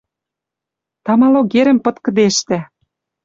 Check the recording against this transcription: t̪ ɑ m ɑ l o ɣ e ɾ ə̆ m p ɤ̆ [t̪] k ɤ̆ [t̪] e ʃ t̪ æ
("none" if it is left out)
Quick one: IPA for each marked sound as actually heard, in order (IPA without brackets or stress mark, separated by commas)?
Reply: t̪, d̪